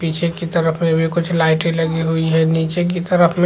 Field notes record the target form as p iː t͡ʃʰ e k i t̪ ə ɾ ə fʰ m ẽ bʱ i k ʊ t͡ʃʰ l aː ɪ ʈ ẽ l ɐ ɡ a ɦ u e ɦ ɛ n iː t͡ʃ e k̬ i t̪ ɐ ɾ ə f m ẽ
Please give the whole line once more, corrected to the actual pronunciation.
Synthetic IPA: p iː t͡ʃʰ e k i t̪ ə ɾ ə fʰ m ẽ bʱ i k ʊ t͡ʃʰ l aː ɪ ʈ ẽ l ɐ ɡ i ɦ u i ɦ ɛ n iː t͡ʃ e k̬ i t̪ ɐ ɾ ə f m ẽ